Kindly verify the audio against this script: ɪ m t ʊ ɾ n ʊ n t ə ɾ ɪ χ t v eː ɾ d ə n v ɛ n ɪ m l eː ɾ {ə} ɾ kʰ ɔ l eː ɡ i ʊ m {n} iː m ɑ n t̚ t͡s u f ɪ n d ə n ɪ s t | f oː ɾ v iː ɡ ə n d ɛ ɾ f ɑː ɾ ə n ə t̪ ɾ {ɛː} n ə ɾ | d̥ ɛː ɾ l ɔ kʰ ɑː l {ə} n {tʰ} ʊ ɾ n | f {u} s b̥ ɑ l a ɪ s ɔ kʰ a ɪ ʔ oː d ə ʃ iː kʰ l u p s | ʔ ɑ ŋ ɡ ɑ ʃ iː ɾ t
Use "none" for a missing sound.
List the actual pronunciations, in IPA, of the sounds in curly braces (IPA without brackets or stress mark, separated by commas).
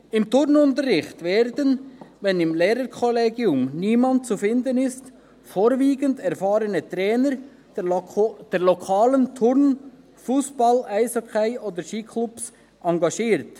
ə, n, ɛː, ə, tʰ, uː